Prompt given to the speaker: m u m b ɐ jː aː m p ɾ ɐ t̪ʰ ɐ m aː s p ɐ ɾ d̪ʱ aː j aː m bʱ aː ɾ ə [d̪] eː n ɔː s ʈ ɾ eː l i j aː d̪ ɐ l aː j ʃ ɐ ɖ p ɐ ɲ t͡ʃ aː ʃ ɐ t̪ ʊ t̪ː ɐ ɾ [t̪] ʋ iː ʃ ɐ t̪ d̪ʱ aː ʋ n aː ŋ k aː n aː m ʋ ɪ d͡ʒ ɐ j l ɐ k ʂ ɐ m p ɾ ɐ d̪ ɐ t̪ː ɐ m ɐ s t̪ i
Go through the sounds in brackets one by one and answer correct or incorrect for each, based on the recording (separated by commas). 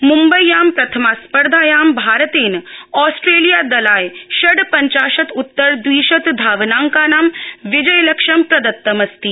incorrect, incorrect